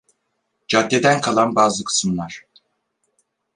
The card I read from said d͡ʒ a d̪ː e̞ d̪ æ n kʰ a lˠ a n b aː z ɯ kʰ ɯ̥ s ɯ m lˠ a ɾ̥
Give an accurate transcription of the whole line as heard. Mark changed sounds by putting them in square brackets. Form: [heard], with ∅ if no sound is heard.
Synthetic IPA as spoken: d͡ʒ a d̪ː e̞ d̪ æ n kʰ a lˠ a n b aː z ɯ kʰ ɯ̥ s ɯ m lˠ a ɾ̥